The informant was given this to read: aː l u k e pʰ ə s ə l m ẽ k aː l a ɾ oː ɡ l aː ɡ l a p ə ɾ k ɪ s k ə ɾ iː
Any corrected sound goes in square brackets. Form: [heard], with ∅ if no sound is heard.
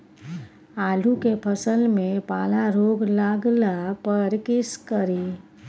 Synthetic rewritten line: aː l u k e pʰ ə s ə l m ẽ [p] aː l a ɾ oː ɡ l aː ɡ l a p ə ɾ k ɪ s k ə ɾ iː